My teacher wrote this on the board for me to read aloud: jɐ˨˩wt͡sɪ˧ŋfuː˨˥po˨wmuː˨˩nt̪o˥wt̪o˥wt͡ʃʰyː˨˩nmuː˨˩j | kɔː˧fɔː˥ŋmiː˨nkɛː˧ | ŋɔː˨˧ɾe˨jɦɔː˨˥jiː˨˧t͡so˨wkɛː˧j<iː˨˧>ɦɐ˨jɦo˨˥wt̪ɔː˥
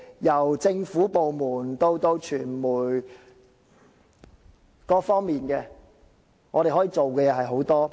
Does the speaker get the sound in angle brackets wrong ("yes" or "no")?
yes